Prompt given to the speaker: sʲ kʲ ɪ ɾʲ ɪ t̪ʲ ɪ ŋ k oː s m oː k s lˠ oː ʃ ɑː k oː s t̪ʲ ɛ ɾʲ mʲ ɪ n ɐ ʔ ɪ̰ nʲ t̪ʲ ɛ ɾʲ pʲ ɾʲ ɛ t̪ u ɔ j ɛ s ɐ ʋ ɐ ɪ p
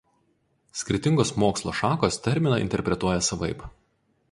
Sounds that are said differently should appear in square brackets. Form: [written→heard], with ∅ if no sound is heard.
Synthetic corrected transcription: sʲ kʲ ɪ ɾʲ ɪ t̪ʲ ɪ ŋ [k→ɡ] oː s m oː k s lˠ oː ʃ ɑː k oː s t̪ʲ ɛ ɾʲ mʲ ɪ n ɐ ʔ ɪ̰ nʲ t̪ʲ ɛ ɾʲ pʲ ɾʲ ɛ t̪ u ɔ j ɛ s ɐ ʋ ɐ ɪ p